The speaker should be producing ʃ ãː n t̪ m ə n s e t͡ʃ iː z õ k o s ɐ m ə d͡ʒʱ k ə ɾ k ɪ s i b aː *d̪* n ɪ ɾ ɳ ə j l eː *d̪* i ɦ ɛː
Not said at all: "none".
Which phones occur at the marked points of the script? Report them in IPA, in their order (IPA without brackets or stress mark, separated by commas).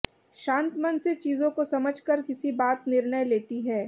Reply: t̪, t̪